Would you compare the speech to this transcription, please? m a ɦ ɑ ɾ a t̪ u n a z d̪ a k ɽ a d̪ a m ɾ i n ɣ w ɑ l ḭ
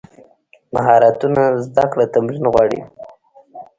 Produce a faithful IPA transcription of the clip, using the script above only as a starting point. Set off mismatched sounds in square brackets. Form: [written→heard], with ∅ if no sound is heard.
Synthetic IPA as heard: m a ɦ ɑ ɾ a t̪ u n a z d̪ a k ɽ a [d̪→t̪] a m ɾ i n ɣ w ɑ [l→ɽ] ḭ